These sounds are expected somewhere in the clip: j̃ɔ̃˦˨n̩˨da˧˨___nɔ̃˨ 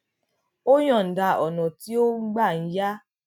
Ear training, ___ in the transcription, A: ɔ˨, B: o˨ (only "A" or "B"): A